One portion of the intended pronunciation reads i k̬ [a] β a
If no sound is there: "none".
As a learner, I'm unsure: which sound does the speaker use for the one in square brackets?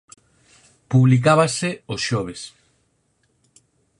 a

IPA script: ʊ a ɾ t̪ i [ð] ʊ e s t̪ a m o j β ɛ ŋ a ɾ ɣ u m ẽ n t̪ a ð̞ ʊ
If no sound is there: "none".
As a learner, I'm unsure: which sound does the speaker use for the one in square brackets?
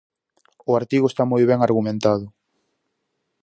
ɣ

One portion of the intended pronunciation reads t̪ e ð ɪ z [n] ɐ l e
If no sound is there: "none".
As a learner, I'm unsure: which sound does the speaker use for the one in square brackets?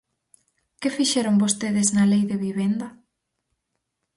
n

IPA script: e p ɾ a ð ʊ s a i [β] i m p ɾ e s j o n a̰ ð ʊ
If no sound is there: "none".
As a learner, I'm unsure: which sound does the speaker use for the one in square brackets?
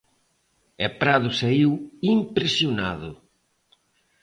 w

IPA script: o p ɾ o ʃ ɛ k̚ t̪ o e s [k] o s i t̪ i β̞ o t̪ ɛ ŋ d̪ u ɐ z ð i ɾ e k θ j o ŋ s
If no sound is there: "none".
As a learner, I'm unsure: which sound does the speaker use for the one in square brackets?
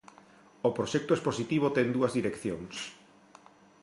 p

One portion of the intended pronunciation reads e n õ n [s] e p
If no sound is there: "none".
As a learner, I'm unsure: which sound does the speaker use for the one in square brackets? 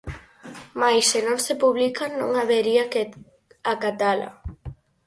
s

